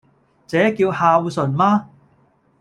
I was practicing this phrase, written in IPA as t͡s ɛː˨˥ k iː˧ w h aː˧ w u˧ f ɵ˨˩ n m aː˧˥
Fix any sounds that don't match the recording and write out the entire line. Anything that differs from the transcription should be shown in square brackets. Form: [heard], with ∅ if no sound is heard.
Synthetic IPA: t͡s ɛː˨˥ k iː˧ w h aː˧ w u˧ [s] ɵ˨˩ n m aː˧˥